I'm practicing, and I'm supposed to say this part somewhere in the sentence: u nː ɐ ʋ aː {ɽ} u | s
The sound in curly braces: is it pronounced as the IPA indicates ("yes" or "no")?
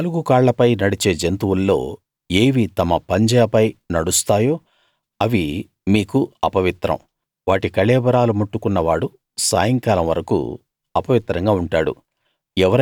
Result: yes